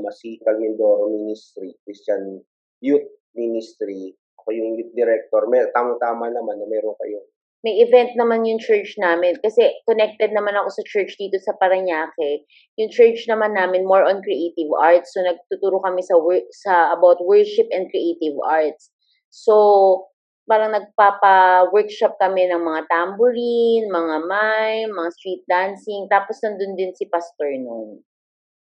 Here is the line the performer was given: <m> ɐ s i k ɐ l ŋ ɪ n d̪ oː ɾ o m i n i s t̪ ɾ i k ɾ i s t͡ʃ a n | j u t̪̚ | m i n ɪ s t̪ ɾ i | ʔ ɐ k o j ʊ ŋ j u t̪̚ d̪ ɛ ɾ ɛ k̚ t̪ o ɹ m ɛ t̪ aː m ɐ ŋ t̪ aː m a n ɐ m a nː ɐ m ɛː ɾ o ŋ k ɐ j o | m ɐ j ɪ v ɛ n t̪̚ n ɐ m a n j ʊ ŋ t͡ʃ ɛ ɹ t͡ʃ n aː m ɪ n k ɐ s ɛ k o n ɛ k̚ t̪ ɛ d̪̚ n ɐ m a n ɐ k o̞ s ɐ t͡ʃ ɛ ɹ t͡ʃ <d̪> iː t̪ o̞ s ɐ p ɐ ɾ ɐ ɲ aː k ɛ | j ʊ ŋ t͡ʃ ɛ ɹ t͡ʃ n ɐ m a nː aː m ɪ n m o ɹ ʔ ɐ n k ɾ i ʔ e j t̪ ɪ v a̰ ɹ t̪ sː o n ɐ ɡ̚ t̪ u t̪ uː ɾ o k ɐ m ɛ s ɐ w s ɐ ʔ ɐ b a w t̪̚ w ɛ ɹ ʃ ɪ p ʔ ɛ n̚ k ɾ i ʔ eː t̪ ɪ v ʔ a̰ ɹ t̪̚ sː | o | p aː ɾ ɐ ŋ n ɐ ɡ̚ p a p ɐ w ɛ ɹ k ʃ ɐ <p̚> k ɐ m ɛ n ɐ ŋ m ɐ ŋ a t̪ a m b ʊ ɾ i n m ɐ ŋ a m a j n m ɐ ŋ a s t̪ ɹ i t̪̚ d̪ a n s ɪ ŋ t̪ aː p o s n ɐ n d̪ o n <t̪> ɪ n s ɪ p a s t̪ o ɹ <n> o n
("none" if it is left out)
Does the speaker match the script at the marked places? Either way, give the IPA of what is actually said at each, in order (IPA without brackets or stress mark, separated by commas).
m, d̪, p̚, d̪, n